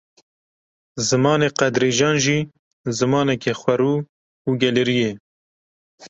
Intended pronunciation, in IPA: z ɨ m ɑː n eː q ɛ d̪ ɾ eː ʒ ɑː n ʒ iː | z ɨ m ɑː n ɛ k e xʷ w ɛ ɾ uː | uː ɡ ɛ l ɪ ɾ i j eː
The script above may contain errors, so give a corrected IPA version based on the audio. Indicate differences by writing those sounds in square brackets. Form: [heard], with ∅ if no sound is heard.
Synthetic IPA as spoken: z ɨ m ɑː n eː q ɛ d̪ ɾ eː ʒ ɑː n ʒ iː | z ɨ m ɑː n ɛ k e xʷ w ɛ ɾ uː | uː ɡ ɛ l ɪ ɾ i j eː